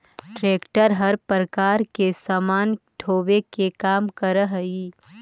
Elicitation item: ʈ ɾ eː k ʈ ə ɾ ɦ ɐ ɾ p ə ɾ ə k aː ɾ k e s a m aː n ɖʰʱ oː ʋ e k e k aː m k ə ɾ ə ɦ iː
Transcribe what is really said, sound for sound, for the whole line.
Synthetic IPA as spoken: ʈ ɾ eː k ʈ ə ɾ ɦ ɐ ɾ p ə ɾ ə k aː ɾ k e s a m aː n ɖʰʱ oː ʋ e k e k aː m k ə ɾ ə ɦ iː